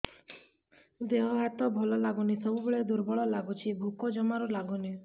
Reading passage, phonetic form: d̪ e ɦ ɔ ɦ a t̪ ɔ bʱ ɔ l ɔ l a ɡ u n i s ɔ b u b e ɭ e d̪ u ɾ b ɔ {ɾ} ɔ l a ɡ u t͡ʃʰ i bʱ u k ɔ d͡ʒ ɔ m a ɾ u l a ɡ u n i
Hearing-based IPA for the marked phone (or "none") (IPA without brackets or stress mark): ɭ